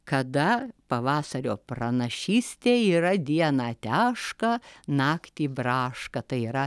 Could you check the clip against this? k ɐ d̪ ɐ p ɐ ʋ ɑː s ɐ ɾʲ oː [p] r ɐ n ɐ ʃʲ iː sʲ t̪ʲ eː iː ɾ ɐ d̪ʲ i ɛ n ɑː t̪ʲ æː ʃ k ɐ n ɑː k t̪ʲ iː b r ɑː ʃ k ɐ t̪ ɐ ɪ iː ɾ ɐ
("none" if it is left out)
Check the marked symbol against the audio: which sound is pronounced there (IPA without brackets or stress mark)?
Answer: p